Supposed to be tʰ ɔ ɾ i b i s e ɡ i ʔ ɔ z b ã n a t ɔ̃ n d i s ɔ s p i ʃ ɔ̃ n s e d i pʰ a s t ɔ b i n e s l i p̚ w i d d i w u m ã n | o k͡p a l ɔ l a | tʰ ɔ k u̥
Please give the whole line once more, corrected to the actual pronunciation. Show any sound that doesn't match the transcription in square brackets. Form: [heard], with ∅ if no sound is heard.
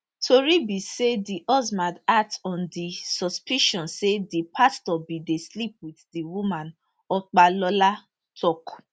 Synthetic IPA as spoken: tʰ [o] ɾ i b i s e [d] i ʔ ɔ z [m] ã [d] a t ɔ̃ n d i s ɔ s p i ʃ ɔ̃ n s e d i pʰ a s t ɔ b i [d] e s l i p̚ w i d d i w u m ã n | [ɔ] k͡p a l ɔ l a | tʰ ɔ k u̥